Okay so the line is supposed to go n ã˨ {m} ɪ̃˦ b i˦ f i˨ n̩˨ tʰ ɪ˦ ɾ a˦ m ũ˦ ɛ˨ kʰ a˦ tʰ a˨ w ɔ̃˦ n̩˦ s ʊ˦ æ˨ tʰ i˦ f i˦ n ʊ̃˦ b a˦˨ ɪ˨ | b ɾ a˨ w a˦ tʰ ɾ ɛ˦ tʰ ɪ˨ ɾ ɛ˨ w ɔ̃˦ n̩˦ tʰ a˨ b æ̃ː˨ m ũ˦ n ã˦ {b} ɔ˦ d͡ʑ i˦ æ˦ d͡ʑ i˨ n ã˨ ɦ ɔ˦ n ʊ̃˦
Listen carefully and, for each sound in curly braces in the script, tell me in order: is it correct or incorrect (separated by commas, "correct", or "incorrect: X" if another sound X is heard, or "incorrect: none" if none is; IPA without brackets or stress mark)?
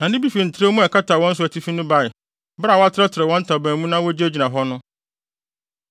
incorrect: n, incorrect: w